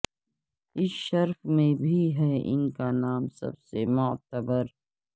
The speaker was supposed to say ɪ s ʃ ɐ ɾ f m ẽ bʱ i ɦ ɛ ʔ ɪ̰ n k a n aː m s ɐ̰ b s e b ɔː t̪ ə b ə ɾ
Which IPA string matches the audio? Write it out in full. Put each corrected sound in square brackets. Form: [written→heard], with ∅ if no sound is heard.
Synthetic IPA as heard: ɪ s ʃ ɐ ɾ f m ẽ bʱ i ɦ ɛ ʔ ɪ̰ n k a n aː m s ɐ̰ b s e [b→m] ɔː t̪ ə b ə ɾ